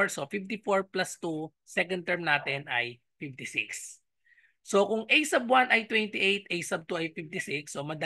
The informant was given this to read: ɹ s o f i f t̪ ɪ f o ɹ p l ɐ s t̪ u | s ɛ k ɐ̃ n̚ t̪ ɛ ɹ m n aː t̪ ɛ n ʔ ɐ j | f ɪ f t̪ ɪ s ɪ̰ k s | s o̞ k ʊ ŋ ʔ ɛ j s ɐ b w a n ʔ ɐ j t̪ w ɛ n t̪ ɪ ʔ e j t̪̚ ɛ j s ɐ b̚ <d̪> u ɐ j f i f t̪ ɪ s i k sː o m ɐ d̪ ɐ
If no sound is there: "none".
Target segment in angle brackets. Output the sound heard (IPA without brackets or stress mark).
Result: t̪